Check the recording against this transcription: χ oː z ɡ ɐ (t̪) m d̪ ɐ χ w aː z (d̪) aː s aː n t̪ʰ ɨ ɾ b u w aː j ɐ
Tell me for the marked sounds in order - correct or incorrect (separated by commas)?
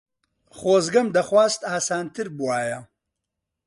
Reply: incorrect, incorrect